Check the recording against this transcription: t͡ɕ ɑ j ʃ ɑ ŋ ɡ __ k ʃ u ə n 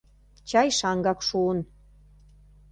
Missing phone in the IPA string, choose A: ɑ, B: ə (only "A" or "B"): A